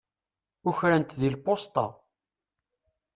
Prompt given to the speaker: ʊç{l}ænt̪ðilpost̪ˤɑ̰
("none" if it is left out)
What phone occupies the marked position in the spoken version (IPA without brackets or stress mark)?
ɾ